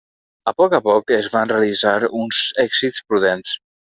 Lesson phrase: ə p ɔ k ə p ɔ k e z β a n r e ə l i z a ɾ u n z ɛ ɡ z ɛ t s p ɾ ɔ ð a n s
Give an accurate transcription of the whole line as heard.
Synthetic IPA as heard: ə p ɔ k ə p ɔ k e z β a n r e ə l i z a ɾ u n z ɛ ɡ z i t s p ɾ u ð e n s